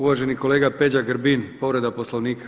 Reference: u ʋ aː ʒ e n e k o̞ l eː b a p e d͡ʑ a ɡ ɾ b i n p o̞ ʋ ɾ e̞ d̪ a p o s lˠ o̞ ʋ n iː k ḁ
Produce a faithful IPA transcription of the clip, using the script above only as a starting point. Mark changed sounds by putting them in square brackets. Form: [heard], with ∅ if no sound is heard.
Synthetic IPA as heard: u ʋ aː ʒ e n [i] k o̞ l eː [ɡ] a p e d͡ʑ a ɡ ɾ b i n p o̞ ʋ ɾ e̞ d̪ a p o s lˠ o̞ ʋ n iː k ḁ